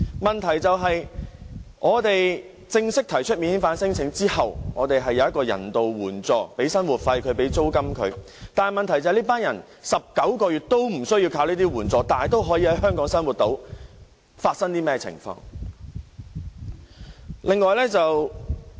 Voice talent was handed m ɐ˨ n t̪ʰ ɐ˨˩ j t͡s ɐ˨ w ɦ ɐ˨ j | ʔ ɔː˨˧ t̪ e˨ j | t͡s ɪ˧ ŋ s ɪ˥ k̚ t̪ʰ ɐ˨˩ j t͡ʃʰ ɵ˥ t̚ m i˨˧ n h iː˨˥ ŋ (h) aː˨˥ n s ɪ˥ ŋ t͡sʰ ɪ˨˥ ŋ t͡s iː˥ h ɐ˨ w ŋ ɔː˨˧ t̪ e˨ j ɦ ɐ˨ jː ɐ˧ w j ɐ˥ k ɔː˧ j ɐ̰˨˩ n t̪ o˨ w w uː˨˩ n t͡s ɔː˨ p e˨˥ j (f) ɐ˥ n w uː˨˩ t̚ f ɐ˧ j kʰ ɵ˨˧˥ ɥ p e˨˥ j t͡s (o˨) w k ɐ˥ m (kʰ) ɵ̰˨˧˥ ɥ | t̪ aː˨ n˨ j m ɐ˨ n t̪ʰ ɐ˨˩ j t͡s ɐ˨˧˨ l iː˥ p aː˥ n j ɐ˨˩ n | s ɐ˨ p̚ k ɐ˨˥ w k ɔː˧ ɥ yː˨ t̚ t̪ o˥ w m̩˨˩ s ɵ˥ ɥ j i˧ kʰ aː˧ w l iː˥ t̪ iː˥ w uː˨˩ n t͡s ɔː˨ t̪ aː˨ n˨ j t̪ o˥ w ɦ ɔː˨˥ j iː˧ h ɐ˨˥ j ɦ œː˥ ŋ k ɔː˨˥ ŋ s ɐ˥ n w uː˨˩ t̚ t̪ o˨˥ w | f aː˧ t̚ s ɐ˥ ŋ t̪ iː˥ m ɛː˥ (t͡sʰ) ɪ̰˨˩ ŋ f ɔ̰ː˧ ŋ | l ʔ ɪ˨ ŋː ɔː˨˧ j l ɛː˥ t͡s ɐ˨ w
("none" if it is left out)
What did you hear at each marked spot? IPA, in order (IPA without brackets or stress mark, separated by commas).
f, s, o˥, kʰ, t͡sʰ